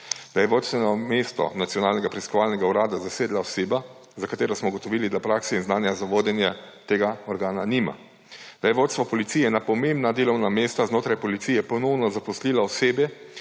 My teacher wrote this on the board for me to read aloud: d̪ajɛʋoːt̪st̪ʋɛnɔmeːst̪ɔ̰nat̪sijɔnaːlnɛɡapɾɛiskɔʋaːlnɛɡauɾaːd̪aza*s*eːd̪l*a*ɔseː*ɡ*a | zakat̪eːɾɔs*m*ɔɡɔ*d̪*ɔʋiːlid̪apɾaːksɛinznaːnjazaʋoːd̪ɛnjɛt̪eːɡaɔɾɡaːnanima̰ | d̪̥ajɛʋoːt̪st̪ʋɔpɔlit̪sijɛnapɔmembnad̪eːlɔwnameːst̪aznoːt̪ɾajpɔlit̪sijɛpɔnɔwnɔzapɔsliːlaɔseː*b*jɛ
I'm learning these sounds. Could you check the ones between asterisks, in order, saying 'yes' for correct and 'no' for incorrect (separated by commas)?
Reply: yes, yes, no, yes, no, yes